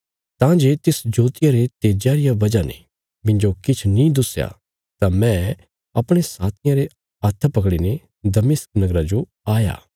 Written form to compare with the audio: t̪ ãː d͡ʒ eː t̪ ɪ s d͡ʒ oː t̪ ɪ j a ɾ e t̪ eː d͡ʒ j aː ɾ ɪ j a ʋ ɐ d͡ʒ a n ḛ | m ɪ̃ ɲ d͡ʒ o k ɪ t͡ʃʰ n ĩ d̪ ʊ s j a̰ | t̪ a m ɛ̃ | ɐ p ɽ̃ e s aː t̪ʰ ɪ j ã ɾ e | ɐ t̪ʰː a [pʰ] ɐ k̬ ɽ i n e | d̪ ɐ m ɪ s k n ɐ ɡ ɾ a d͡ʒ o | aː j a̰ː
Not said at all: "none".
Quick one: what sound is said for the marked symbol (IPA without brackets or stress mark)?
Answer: p